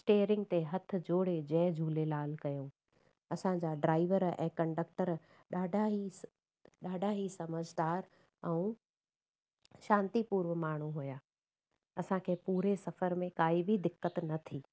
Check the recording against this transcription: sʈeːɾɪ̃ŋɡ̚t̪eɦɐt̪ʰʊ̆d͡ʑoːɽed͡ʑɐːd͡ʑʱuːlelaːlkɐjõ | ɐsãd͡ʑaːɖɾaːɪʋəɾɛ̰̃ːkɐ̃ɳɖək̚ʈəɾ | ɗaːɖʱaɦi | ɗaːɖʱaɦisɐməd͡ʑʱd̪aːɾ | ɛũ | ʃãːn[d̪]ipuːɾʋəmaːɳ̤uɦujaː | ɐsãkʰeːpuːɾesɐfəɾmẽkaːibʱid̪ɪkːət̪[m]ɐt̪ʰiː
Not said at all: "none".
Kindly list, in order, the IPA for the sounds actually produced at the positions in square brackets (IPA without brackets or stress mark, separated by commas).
t̪, n